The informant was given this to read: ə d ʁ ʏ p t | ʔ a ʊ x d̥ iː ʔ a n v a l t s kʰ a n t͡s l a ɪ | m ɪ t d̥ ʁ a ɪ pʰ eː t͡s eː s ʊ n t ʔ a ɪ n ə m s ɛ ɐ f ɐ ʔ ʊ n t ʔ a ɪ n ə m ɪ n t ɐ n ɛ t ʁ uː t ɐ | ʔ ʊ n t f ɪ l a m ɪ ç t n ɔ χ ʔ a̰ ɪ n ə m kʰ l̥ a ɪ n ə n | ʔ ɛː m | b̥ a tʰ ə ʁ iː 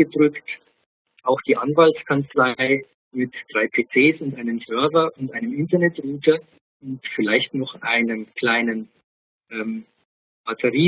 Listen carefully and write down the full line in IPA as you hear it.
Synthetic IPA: ə d ʁ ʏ k t | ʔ a ʊ x d̥ iː ʔ a n v a l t s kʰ a n t͡s l a ɪ | m ɪ t d̥ ʁ a ɪ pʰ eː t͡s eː s ʊ n t ʔ a ɪ n ə m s œ ɐ v ɐ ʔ ʊ n t ʔ a ɪ n ə m ɪ n t ɐ n ɛ t ʁ uː t ɐ | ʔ ʊ n t f ɪ l a ɪ ç t n ɔ χ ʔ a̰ ɪ n ə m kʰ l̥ a ɪ n ə n | ʔ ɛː m | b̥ a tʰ ə ʁ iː

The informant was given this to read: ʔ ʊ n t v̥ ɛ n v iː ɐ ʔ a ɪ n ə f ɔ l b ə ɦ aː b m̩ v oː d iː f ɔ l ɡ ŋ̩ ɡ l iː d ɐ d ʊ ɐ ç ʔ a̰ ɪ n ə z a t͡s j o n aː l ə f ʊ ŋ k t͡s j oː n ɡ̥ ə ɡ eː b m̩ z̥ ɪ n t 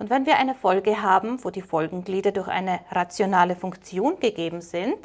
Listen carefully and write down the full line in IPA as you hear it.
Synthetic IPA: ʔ ʊ n t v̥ ɛ n v iː ɐ ʔ a ɪ n ə f ɔ l ɡ ə ɦ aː b m̩ v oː d iː f ɔ l ɡ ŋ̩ ɡ l iː d ɐ d ʊ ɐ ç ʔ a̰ ɪ n ə ʁ a t͡s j o n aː l ə f ʊ ŋ k t͡s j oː n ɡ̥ ə ɡ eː b m̩ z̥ ɪ n t

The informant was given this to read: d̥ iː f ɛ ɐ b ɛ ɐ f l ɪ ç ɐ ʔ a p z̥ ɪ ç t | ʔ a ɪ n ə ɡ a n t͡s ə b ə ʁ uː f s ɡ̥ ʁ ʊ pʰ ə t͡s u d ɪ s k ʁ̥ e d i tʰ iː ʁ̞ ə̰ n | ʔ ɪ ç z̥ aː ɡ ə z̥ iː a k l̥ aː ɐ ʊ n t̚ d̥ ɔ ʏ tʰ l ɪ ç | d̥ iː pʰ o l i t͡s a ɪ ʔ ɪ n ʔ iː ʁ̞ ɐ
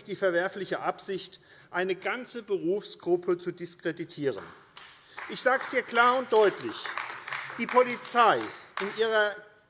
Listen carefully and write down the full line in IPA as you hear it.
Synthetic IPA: d̥ iː f ɛ ɐ v ɛ ɐ f l ɪ ç ə ʔ a p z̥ ɪ ç t | ʔ a ɪ n ə ɡ a n t͡s ə b ə ʁ uː f s ɡ̥ ʁ ʊ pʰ ə t͡s u d ɪ s k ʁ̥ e d i tʰ iː ʁ̞ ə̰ n | ʔ ɪ ç z̥ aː ɡ ə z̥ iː ɐ k l̥ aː ɐ ʊ n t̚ d̥ ɔ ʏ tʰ l ɪ ç | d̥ iː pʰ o l i t͡s a ɪ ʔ ɪ n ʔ iː ʁ̞ ɐ

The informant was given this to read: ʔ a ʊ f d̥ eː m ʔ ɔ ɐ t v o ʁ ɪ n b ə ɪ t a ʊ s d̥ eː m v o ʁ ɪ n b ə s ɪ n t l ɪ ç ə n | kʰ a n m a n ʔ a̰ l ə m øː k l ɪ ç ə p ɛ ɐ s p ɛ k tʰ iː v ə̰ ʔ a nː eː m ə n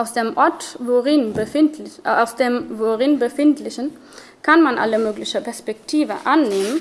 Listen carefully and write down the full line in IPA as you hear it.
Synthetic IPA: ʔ a ʊ s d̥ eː m ʔ ɔ ɐ t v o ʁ ɪ n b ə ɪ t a ʊ s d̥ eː m v o ʁ ɪ n b ə f ɪ n t l ɪ ç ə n | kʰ a n m a n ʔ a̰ l ə m øː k l ɪ ç ə p ɛ ɐ s p ɛ k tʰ iː v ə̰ ʔ a nː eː m ə n

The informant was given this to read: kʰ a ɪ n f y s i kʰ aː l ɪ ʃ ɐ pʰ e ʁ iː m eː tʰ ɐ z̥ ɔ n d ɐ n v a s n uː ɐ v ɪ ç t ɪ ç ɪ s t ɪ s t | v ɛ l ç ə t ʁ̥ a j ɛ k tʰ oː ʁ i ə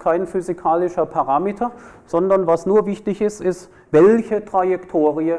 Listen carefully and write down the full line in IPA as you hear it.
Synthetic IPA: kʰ a ɪ n f y z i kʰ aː l ɪ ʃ ɐ pʰ a ʁ aː m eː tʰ ɐ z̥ ɔ n d ɐ n v a s n uː ɐ v ɪ ç t ɪ ç ɪ s t ɪ s t | v ɛ l ç ə t ʁ̥ a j ɛ k tʰ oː ʁ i ə

